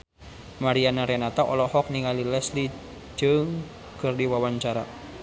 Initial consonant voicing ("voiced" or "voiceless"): voiced